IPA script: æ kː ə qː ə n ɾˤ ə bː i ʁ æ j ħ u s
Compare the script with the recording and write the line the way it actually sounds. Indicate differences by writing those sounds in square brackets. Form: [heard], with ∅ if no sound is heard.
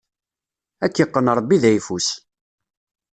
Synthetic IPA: æ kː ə qː ə n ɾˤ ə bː i [ð] æ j [f] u s